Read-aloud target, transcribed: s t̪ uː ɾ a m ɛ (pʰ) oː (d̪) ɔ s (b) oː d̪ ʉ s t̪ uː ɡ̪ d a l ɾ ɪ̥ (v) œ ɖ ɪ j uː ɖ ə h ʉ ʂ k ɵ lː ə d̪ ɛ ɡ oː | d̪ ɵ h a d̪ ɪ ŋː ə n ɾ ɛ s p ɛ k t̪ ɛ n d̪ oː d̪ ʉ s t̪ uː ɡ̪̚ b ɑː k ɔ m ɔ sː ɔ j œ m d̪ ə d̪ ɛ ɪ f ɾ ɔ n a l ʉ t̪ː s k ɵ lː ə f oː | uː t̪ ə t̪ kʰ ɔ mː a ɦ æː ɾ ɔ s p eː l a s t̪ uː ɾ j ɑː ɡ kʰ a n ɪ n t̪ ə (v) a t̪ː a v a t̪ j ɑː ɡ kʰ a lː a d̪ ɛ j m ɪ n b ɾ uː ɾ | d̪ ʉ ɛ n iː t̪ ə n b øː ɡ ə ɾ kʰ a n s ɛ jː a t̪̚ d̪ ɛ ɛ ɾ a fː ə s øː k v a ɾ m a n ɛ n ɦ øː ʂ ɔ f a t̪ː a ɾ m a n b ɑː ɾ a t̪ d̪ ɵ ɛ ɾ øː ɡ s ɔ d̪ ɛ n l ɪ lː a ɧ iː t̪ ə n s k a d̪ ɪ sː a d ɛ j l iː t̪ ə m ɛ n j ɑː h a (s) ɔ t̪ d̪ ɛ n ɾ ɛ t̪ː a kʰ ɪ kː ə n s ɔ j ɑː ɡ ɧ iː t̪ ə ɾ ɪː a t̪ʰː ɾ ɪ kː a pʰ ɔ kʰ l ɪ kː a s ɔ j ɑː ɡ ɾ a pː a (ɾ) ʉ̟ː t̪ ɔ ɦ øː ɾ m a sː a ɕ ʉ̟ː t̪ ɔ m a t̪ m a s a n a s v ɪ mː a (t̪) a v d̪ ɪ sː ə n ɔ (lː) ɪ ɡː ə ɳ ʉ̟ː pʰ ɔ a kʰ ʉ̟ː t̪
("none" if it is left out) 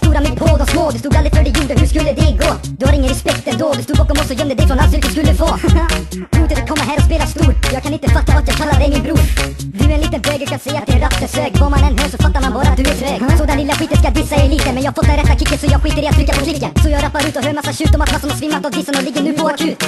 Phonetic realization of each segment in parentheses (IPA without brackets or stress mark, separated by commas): pʰ, d̪, m, f, f, f, ɾ, t̪, l